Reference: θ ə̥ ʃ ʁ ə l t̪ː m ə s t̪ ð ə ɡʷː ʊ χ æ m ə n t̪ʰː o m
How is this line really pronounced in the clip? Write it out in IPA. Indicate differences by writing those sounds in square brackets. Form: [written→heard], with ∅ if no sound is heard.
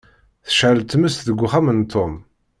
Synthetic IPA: θ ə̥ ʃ [ʁ→ʕ] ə l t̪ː m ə s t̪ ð ə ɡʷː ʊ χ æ m ə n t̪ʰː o m